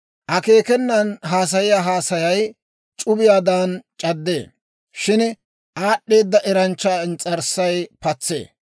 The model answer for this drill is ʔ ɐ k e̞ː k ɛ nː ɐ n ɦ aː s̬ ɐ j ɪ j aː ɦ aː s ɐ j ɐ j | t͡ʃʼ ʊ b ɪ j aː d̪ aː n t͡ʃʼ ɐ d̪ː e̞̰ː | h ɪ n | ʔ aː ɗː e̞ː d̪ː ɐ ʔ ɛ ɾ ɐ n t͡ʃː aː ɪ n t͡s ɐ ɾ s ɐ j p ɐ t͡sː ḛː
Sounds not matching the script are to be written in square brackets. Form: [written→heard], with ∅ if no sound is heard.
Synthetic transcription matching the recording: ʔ ɐ k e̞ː k ɛ nː ɐ n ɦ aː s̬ ɐ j ɪ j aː ɦ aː s ɐ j ɐ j | t͡ʃʼ ʊ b ɪ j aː d̪ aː n t͡ʃʼ ɐ d̪ː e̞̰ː | [h→ʃ] ɪ n | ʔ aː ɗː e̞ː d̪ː ɐ ʔ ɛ ɾ ɐ n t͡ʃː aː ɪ n [t͡s→t͡sʼ] ɐ ɾ s ɐ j p ɐ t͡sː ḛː